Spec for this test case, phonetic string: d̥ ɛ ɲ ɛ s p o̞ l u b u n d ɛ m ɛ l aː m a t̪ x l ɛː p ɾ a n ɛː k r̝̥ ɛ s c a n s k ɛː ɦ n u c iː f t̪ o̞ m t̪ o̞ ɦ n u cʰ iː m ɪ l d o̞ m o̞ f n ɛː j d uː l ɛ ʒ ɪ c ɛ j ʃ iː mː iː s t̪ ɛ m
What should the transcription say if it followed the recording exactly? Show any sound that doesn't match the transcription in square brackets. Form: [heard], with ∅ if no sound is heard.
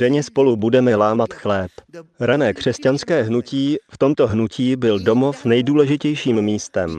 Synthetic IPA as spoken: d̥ ɛ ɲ ɛ s p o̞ l u b u [∅] d ɛ m ɛ l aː m a t̪ x l ɛː p ɾ a n ɛː k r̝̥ ɛ s c a n s k ɛː ɦ n u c iː f t̪ o̞ m t̪ o̞ ɦ n u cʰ iː [b] ɪ l d o̞ m o̞ f n [ɛ] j d uː l ɛ ʒ ɪ c ɛ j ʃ iː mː iː s t̪ ɛ m